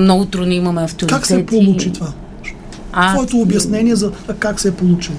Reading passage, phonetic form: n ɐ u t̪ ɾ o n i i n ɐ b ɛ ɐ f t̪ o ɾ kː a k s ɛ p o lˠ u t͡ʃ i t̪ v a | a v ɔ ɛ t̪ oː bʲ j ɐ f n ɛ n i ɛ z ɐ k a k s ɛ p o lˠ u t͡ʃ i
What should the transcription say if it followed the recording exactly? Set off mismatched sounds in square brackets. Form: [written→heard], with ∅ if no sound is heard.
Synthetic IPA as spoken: n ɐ u t̪ ɾ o n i i [n→m] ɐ [b→m] ɛ ɐ f t̪ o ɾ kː a k s ɛ p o lˠ u t͡ʃ i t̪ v a | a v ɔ ɛ t̪ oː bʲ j ɐ [f→s] n ɛ n i ɛ z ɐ k a k s ɛ p o lˠ u t͡ʃ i